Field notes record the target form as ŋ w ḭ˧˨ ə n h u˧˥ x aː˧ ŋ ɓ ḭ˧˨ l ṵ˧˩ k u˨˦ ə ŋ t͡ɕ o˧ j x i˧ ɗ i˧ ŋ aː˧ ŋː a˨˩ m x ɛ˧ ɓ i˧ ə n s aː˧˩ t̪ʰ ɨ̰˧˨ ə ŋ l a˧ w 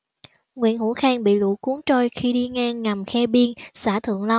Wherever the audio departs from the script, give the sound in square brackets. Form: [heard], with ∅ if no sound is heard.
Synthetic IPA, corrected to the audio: ŋ w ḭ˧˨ ə n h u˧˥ x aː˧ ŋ ɓ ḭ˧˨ l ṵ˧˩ k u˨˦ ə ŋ t͡ɕ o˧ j x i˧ ɗ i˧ ŋ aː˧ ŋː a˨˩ m x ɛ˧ ɓ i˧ ə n s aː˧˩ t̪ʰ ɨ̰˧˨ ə ŋ l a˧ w